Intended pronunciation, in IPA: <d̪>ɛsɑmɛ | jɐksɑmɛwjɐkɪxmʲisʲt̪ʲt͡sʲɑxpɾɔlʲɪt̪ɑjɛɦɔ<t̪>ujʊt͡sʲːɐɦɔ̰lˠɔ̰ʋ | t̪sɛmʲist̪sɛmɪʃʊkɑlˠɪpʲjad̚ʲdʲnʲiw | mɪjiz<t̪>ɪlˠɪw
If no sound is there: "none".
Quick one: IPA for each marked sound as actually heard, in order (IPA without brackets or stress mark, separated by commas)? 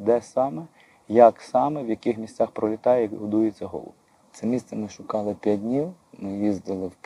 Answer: d̪, d̪, d̪